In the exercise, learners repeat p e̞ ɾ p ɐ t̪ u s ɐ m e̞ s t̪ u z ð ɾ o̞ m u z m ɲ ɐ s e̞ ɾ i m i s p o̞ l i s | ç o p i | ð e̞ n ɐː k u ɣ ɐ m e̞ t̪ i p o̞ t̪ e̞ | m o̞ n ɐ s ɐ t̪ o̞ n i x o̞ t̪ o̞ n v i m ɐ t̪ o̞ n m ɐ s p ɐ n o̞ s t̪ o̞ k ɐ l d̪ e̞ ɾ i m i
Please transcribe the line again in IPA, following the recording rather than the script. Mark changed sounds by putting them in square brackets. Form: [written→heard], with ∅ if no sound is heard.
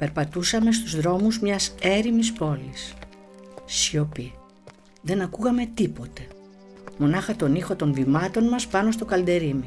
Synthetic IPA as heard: p e̞ ɾ p ɐ t̪ u s ɐ m e̞ s t̪ u z ð ɾ o̞ m u z m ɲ ɐ s e̞ ɾ i m i s p o̞ l i s | ç o p i | ð e̞ n [ɐː→ɐ] k u ɣ ɐ m e̞ t̪ i p o̞ t̪ e̞ | m o̞ n ɐ [s→x] ɐ t̪ o̞ n i x o̞ t̪ o̞ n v i m ɐ t̪ o̞ n m ɐ s p ɐ n o̞ s t̪ o̞ k ɐ l d̪ e̞ ɾ i m i